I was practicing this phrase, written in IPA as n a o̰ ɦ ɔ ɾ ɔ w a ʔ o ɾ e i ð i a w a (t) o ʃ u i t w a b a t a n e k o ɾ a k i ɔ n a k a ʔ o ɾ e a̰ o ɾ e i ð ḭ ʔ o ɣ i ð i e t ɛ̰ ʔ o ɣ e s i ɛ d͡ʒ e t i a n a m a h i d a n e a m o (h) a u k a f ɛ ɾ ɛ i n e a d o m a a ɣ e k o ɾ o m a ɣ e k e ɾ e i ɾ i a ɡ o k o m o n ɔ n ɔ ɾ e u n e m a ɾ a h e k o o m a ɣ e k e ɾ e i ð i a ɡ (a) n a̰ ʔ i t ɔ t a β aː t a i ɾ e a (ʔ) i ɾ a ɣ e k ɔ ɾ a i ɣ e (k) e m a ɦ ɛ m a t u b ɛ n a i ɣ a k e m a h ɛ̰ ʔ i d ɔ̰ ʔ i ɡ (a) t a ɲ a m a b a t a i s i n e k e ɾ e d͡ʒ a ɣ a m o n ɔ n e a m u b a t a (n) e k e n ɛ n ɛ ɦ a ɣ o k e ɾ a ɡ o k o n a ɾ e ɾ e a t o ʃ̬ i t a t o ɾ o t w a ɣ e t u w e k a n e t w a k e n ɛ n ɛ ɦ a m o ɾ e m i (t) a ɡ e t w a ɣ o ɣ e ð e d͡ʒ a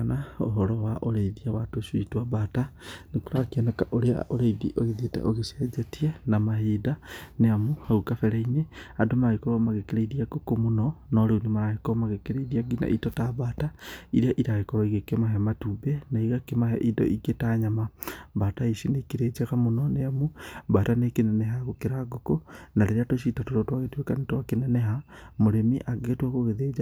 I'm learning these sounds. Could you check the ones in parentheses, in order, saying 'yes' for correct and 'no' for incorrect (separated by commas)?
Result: yes, yes, no, yes, yes, no, yes, no